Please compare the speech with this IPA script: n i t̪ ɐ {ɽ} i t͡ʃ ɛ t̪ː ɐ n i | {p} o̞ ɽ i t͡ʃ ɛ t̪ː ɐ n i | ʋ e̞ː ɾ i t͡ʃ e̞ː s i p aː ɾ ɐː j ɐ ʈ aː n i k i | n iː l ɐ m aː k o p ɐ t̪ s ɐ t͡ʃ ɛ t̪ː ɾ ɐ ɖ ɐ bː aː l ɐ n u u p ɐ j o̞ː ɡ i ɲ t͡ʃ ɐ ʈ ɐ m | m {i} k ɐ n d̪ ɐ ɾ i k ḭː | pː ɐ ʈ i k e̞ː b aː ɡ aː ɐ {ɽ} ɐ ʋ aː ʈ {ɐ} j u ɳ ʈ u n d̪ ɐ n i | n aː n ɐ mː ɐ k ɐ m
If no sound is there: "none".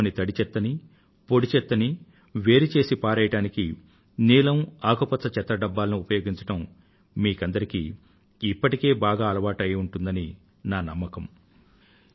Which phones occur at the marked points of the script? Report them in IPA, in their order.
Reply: ɽ, p, iː, l, ɐ

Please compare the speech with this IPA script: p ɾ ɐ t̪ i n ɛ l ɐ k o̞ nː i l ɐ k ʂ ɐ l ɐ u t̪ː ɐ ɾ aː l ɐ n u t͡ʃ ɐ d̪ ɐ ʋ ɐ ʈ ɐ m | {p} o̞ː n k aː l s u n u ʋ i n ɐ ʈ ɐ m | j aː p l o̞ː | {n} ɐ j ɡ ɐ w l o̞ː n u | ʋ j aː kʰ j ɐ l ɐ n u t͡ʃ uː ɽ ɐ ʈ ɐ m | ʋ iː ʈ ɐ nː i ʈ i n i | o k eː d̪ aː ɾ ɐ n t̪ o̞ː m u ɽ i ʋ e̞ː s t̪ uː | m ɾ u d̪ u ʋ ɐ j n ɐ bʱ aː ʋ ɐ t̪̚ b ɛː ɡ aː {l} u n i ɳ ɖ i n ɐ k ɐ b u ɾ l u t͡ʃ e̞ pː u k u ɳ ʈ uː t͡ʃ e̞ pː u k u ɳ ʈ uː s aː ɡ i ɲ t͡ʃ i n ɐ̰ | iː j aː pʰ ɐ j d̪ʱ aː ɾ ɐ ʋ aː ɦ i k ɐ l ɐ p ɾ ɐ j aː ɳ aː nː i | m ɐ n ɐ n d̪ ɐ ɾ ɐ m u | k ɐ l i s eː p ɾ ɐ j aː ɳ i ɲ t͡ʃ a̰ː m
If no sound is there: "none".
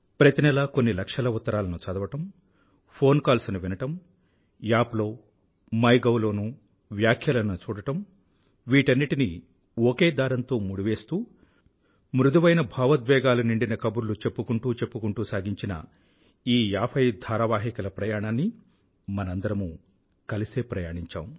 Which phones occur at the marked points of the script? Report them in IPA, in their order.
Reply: pʰ, m, l

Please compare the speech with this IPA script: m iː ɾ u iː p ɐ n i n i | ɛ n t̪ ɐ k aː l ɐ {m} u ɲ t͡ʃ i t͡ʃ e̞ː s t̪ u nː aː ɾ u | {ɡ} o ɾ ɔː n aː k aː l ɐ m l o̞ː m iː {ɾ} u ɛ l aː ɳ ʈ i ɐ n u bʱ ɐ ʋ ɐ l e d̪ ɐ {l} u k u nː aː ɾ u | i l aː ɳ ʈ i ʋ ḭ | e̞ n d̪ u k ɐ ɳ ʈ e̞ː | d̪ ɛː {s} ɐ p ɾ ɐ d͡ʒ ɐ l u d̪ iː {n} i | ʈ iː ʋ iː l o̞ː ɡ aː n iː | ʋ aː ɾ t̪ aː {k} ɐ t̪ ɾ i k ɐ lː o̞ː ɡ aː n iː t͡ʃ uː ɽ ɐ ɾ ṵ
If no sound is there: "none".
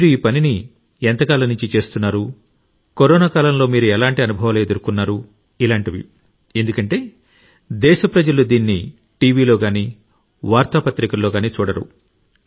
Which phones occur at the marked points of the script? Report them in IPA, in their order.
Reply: n, k, ɾ, ɾ, ʃ, nː, p

